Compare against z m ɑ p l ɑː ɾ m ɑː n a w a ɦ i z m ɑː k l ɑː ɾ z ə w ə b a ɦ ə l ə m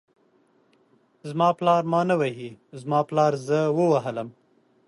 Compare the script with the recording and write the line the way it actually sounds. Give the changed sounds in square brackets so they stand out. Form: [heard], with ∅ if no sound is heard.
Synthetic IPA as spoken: z m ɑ p l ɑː ɾ m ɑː n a w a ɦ i z m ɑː [p] l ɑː ɾ z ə w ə [w] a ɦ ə l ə m